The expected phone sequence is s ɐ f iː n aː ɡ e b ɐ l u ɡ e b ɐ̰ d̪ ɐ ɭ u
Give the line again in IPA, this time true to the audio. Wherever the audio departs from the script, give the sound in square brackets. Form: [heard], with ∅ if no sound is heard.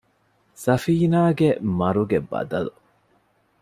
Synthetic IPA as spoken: s ɐ f iː n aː ɡ e [m] ɐ [ɾ] u ɡ e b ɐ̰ d̪ ɐ [l] u